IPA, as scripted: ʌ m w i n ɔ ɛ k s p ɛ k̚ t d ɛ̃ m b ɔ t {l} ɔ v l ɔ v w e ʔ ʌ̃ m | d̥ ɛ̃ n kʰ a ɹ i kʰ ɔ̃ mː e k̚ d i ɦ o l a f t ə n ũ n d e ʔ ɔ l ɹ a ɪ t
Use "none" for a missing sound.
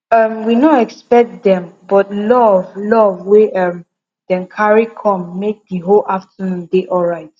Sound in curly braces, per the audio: l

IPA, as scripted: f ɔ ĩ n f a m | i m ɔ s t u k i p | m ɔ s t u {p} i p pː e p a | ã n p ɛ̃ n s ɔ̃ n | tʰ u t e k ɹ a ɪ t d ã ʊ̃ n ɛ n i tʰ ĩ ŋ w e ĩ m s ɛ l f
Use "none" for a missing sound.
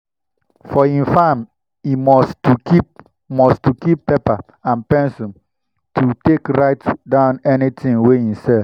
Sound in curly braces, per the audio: k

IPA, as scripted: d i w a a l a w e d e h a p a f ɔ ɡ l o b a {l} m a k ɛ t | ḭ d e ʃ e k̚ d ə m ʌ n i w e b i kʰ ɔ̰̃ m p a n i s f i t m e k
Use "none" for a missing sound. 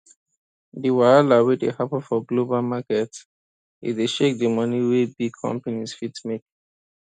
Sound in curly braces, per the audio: l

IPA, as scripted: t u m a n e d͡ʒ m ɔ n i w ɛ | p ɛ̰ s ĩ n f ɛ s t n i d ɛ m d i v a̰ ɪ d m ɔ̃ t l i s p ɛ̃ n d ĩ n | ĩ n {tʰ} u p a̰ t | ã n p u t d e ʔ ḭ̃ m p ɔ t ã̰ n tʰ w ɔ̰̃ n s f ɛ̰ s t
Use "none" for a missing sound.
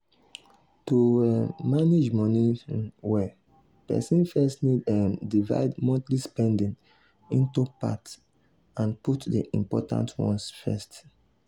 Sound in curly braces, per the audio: t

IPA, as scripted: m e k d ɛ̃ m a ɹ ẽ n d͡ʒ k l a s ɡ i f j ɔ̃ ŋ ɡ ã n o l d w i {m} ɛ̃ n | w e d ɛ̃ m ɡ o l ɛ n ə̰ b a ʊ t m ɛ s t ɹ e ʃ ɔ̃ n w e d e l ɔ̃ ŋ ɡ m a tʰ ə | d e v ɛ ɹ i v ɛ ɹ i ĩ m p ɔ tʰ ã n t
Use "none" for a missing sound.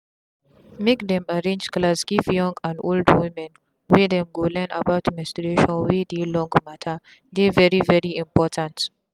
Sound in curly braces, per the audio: m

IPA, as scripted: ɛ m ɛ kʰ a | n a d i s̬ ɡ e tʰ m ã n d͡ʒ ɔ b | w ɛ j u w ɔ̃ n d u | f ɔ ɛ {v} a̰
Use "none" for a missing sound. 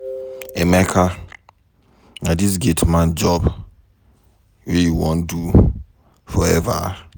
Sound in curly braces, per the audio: v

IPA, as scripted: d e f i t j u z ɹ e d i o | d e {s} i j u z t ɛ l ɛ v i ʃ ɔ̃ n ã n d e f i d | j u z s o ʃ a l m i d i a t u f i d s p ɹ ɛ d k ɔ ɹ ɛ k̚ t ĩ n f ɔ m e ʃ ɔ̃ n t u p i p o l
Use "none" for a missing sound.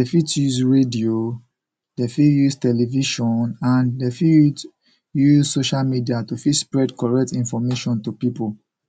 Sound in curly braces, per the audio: f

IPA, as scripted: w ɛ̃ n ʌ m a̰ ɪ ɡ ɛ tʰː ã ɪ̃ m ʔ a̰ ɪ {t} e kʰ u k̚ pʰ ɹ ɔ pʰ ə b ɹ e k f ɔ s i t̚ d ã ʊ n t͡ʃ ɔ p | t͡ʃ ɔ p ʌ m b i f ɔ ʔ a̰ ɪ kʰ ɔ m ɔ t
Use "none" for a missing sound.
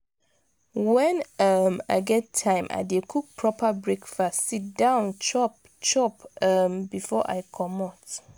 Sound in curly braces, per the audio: d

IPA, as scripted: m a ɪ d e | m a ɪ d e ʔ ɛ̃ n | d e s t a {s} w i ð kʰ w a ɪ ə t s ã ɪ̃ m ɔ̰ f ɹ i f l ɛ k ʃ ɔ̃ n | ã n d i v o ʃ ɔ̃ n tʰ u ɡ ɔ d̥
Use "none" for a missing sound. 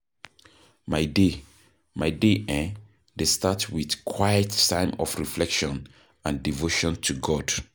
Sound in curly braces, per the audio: t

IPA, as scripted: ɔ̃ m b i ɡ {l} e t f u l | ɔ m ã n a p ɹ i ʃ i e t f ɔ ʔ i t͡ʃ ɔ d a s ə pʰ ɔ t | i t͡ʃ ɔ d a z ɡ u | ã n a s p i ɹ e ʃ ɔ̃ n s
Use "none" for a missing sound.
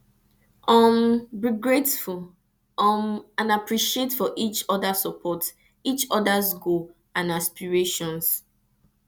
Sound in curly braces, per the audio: ɹ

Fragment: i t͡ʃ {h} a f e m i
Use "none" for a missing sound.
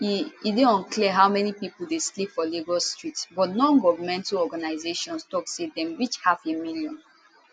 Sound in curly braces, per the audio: h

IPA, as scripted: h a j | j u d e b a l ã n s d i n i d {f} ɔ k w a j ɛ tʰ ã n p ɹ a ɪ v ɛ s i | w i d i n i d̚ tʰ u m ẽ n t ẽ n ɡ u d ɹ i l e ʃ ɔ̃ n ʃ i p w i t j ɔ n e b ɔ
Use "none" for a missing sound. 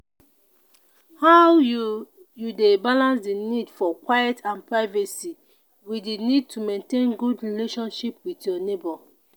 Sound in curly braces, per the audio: f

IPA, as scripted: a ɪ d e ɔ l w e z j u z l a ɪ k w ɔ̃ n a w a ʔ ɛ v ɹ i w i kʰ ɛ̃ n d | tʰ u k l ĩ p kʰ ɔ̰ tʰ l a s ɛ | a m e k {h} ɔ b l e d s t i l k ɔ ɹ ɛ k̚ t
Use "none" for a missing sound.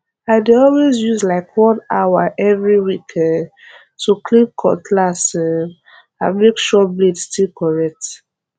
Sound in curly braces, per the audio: ʃ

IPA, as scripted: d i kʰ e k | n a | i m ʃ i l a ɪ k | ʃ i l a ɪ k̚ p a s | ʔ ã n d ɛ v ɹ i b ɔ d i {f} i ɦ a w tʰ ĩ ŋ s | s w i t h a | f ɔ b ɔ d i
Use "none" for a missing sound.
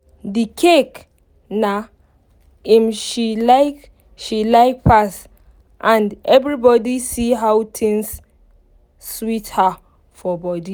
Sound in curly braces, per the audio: s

